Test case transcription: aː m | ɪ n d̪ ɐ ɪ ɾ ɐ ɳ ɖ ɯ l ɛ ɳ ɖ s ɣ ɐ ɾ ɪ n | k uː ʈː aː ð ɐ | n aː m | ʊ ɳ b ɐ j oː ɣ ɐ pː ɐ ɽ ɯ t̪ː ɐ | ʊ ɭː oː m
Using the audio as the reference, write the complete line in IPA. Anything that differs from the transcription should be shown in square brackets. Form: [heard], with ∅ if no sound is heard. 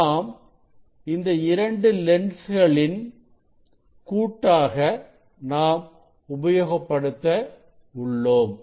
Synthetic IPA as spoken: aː m | ɪ n d̪ ɐ ɪ ɾ ɐ ɳ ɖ ɯ l ɛ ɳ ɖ s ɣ ɐ [ɭ] ɪ n | k uː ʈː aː [ɣ] ɐ | n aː m | ʊ [∅] b ɐ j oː ɣ ɐ pː ɐ ɽ ɯ t̪ː ɐ | ʊ ɭː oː m